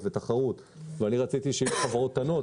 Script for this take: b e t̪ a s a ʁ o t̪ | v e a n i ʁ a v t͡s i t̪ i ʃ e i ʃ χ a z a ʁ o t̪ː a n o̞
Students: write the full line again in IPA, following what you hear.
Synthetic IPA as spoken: v e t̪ a χ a ʁ u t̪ | v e a n i ʁ a t͡s i t̪ i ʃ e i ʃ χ a v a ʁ o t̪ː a n o̞